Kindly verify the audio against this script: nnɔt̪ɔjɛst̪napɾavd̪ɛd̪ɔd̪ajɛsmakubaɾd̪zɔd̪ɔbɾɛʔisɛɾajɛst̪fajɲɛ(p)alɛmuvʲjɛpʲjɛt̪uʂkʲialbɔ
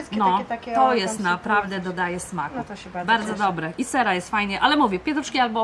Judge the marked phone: incorrect: ʔ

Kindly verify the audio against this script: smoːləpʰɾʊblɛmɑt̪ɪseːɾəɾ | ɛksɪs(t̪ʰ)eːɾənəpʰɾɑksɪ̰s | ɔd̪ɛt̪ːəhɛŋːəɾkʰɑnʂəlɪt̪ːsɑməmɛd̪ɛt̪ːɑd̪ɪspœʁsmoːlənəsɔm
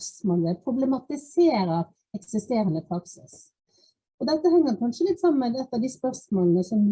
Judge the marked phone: incorrect: t̪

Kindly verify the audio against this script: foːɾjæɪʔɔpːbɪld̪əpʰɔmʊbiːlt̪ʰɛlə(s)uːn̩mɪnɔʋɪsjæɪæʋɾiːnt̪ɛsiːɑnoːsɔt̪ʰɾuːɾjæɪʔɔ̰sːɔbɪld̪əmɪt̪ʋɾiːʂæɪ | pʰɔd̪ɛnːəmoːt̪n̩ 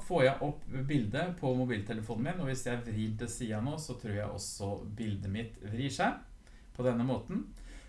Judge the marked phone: incorrect: f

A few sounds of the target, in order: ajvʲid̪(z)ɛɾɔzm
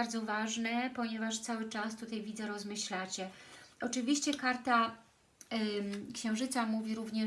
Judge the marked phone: correct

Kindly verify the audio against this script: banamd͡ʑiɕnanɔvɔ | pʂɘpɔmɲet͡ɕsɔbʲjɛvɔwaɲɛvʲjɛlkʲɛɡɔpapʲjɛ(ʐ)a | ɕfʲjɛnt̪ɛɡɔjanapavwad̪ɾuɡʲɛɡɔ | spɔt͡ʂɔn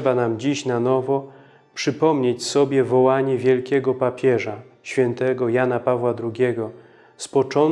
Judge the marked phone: correct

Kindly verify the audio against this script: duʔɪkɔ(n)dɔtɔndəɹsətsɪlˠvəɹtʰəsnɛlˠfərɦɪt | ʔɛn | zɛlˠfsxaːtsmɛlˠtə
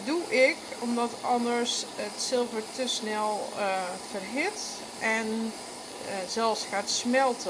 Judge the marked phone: incorrect: m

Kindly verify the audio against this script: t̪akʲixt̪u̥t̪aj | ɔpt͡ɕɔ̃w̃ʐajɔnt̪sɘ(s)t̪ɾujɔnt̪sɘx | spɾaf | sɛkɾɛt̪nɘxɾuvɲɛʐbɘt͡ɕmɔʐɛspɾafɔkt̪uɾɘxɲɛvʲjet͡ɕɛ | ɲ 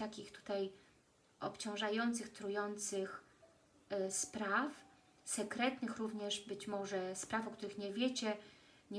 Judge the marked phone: incorrect: x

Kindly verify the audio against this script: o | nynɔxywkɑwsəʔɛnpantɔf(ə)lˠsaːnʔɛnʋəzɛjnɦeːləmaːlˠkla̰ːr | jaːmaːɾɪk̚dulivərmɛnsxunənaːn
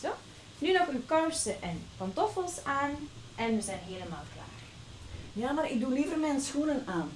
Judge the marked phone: correct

